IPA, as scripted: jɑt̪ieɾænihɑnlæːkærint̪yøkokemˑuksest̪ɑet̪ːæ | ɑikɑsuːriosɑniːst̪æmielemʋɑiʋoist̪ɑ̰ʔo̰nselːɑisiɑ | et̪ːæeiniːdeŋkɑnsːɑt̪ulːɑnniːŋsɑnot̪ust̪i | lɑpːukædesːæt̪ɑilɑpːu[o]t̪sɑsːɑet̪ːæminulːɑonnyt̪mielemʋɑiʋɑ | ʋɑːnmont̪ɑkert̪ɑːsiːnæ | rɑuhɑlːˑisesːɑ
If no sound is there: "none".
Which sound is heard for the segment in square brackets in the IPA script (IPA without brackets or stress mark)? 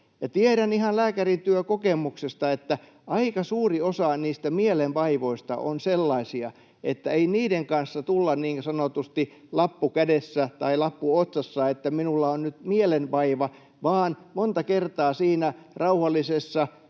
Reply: o